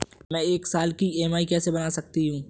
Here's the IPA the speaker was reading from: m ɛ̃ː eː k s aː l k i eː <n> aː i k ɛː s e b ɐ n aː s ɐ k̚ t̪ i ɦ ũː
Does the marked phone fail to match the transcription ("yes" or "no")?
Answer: yes